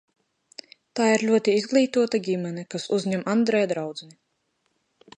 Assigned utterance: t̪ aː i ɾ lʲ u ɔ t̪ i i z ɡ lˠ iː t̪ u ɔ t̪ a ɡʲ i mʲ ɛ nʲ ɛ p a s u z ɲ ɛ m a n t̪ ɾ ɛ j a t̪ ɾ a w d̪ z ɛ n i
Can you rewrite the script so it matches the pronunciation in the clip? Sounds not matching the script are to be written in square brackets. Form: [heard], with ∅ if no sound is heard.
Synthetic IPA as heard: t̪ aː i ɾ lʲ u ɔ t̪ i i z ɡ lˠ iː t̪ u ɔ t̪ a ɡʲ i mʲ ɛ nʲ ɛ [k] a s u z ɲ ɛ m a n [d̪] ɾ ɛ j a [d̪] ɾ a w d̪ z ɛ n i